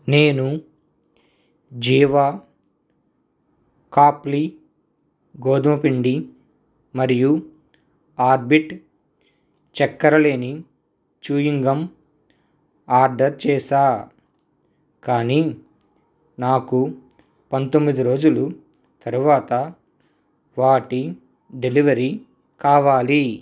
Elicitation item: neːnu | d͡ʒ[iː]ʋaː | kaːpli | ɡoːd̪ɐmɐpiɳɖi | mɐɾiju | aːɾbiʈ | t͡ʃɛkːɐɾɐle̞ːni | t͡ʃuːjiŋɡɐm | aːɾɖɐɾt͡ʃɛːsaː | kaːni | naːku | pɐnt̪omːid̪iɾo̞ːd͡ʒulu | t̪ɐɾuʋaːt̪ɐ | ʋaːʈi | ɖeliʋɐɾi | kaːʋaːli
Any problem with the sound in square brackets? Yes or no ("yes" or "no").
no